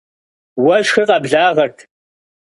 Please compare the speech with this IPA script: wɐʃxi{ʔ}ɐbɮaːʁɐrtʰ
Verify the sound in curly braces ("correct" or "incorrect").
incorrect